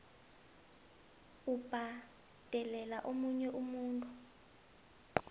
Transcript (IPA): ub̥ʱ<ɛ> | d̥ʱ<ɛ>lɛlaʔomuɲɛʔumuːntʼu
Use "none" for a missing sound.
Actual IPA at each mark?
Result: a, ɛ

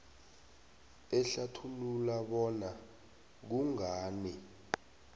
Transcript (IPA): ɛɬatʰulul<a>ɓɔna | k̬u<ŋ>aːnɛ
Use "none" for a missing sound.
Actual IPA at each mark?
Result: a, ŋ

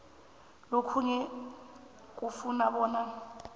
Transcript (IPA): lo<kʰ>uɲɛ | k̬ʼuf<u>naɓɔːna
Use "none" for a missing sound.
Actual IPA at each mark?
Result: kʰ, u

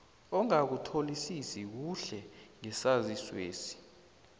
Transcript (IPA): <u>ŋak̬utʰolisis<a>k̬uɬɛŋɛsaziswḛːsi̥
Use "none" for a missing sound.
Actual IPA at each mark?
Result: ɔ, i

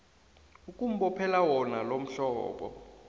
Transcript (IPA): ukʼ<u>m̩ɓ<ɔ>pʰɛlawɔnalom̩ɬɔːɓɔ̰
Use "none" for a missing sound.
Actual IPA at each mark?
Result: u, ɔ

